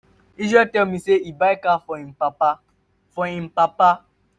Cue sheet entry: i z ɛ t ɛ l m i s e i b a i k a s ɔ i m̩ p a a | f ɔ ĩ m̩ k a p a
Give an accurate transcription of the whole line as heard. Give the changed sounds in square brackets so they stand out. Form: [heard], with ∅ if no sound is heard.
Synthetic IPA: i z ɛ t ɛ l m i s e i b a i k a [f] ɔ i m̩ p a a | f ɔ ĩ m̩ [p] a p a